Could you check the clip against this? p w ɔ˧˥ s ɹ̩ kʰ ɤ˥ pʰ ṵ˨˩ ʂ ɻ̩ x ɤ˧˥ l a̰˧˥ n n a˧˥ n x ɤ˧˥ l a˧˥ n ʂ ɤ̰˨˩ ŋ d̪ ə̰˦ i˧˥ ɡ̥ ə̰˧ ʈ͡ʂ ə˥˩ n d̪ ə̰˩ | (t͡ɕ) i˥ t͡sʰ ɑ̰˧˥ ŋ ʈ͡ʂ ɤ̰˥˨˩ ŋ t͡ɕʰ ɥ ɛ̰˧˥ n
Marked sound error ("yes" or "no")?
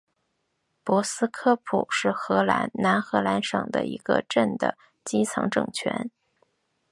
no